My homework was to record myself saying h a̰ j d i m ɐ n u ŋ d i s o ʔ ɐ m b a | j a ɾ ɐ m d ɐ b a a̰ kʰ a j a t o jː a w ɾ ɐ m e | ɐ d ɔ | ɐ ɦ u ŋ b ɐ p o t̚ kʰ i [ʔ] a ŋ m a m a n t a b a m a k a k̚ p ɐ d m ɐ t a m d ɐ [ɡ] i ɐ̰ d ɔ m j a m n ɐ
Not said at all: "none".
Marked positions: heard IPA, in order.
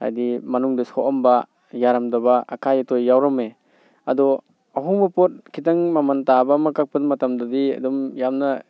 t, d

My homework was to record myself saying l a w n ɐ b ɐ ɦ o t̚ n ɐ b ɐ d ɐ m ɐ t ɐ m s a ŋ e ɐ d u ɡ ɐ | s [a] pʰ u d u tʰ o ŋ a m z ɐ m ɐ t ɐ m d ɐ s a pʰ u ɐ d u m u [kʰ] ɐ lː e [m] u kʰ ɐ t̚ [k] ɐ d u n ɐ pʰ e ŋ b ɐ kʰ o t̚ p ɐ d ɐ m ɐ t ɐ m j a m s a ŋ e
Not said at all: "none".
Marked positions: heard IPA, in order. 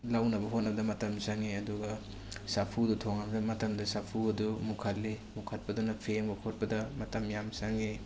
a, kʰ, m, p

